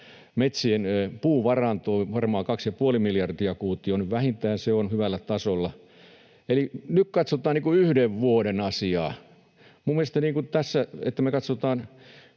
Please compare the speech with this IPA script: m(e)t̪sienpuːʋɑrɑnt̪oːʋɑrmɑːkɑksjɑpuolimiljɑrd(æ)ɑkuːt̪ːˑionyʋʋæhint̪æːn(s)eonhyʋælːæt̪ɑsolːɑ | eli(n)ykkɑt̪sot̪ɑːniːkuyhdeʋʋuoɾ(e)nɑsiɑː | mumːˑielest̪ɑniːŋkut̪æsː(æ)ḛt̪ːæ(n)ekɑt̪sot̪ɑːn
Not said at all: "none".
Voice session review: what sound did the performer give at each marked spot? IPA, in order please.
e, i, s, n, e, æ, m

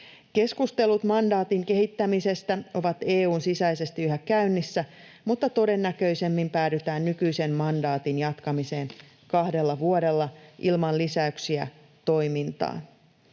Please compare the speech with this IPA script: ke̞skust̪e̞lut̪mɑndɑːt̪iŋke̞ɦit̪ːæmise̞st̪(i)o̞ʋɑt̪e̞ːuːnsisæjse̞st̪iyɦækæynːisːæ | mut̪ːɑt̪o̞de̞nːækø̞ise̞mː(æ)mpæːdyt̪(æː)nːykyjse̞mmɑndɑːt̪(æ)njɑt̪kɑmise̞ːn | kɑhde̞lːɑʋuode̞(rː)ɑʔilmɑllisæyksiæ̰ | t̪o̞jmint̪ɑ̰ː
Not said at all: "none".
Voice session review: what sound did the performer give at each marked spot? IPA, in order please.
æ, i, æː, i, lː

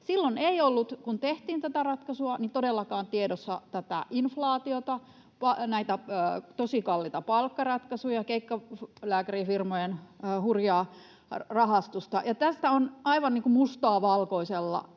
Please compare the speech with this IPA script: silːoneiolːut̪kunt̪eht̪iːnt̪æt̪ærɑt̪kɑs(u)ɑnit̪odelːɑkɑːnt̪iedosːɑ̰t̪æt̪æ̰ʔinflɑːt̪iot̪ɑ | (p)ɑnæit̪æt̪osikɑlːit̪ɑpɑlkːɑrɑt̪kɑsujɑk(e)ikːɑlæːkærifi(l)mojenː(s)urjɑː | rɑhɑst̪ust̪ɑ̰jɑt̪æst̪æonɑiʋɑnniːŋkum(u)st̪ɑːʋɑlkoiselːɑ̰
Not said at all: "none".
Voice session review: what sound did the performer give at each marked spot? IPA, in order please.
u, p, e, r, h, u

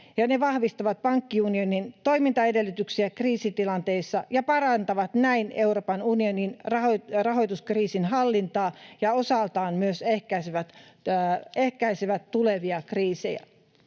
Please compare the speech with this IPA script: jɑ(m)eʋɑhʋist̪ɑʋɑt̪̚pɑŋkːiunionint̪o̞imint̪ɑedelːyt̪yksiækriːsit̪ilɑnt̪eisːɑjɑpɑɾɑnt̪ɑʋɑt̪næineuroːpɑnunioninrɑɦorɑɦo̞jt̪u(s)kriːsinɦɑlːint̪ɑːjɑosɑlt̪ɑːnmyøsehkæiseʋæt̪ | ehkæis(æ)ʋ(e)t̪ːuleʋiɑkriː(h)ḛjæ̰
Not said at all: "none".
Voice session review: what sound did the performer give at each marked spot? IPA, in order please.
n, s, e, æ, s

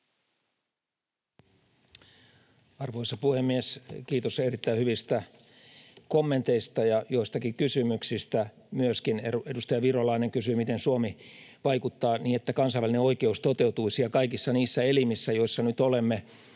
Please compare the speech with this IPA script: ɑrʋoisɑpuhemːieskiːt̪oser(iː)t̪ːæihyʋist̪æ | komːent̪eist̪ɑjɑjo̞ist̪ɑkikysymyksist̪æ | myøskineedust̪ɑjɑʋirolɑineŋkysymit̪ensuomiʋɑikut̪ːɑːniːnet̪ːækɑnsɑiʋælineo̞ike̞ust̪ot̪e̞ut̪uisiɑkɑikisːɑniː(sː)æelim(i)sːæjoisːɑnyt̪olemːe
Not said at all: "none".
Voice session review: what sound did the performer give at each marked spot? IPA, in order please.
i, sː, i

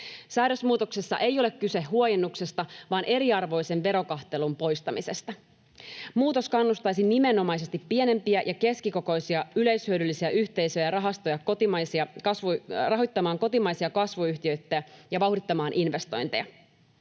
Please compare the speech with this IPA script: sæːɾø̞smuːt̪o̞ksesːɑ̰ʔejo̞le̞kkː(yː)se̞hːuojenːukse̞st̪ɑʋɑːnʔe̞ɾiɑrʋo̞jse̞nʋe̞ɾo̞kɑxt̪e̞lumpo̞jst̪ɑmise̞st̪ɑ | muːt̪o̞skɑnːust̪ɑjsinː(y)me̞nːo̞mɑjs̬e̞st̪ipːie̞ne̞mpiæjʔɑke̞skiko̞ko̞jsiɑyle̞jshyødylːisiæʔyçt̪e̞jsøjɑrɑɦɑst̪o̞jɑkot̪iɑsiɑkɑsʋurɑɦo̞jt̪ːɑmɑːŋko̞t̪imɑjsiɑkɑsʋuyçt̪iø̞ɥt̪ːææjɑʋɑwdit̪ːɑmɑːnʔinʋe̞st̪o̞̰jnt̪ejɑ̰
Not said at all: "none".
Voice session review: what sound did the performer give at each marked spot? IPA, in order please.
y, i

